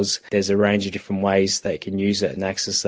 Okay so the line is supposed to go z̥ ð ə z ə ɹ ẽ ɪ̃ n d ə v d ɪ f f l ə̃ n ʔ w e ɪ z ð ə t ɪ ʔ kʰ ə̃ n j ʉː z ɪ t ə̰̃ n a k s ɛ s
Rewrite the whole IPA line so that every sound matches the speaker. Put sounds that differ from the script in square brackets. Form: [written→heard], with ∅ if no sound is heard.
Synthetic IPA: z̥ ð ə z ə ɹ ẽ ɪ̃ n [d→d͡ʒ] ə v d ɪ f f [l→ɹ] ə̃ n ʔ w e ɪ z ð ə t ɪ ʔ kʰ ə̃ n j ʉː z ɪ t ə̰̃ n a k s ɛ s